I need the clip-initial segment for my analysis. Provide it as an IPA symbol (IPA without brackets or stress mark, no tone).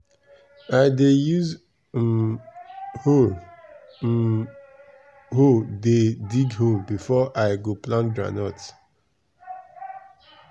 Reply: a